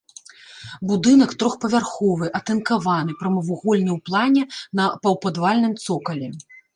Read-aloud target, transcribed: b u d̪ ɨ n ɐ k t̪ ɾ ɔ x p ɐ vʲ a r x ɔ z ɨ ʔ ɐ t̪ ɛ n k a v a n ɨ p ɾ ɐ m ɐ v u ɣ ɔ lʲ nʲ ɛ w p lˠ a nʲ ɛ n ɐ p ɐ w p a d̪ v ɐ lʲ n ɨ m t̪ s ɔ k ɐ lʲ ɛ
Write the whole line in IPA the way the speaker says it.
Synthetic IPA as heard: b u d̪ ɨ n ɐ k t̪ ɾ ɔ x p ɐ vʲ a r x ɔ v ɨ ʔ ɐ t̪ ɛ n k a v a n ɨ p ɾ ɐ m ɐ v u ɣ ɔ lʲ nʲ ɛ w p lˠ a nʲ ɛ n ɐ p ɐ w p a d̪ v a lʲ n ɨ m t̪ s ɔ k ɐ lʲ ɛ